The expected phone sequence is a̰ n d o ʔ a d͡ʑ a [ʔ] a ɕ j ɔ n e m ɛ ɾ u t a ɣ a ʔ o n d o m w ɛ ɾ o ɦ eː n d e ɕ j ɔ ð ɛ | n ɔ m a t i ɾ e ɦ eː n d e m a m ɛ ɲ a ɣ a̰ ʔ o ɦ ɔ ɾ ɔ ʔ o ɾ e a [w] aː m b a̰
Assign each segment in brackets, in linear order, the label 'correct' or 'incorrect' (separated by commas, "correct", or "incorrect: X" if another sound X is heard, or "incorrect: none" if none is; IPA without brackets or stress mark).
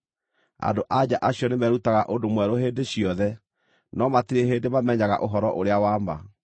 correct, correct